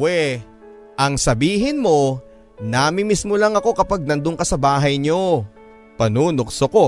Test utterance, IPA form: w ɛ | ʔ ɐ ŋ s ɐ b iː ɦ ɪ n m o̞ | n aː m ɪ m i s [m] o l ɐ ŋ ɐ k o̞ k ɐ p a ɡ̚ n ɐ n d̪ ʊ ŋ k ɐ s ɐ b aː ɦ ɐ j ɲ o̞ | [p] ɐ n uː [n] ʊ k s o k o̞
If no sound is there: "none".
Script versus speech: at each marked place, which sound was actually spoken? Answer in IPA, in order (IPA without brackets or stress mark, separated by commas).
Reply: m, p, n